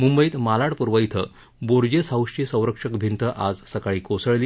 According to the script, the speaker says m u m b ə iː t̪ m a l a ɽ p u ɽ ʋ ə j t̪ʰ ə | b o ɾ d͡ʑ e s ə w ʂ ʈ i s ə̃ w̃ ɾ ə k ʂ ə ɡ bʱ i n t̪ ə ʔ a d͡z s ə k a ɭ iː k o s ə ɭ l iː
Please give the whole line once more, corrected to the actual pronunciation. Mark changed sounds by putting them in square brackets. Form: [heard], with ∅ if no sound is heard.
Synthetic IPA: m u m b ə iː t̪ m a l a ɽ p u [ɾ] ʋ ə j t̪ʰ ə | b o ɾ d͡ʑ e s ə w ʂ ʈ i s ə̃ w̃ ɾ ə k ʂ ə [k] bʱ i n t̪ ə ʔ a d͡z s ə k a ɭ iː k o s ə ɭ l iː